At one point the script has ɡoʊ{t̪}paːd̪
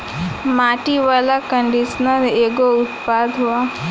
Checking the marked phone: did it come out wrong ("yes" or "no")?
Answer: no